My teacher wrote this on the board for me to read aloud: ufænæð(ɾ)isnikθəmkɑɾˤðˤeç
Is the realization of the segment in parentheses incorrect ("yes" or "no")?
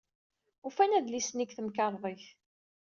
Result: yes